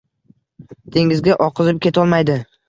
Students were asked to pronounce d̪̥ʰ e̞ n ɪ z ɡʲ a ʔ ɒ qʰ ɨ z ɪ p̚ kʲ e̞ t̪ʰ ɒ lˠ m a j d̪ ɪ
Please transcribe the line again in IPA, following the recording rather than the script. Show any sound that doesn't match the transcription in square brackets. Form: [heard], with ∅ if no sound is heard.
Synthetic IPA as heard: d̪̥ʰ e̞ [ŋ] ɪ z ɡʲ a ʔ ɒ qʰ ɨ z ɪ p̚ kʲ e̞ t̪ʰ ɒ lˠ m a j d̪ ɪ